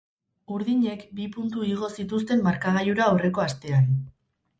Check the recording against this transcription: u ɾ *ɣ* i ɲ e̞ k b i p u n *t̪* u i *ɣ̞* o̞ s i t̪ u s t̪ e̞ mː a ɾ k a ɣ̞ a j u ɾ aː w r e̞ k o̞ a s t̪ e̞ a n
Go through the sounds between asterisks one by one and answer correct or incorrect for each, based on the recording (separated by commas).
incorrect, correct, correct